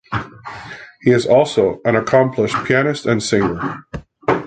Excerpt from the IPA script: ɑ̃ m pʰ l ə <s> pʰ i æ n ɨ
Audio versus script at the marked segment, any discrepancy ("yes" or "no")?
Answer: yes